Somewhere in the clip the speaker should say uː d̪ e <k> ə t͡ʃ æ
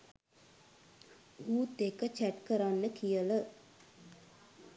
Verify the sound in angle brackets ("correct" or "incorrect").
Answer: correct